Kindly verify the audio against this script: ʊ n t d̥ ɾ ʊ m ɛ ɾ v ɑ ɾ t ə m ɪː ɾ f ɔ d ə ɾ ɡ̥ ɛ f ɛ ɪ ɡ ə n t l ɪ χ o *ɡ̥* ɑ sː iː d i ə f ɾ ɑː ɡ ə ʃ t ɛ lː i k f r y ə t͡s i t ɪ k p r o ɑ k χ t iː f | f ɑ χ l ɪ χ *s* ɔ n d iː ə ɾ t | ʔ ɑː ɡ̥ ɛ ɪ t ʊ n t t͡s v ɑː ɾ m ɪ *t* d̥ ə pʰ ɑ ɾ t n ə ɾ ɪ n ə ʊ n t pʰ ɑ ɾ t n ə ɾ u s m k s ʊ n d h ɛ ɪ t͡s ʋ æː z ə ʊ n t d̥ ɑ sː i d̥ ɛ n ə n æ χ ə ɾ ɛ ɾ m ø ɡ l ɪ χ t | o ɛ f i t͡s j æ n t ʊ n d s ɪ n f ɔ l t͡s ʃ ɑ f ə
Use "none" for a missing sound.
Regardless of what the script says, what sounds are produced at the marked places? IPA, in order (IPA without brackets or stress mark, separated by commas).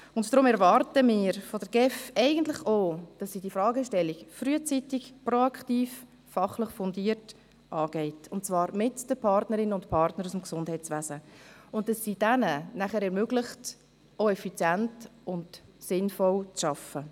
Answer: d̥, f, t